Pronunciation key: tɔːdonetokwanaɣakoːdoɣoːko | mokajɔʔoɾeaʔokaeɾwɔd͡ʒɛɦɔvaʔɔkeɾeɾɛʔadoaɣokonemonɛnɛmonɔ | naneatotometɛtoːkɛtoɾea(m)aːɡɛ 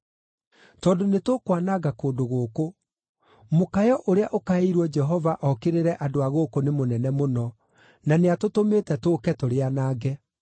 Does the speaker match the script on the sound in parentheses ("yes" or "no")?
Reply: no